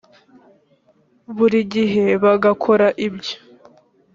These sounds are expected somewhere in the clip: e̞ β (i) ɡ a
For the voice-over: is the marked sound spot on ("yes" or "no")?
no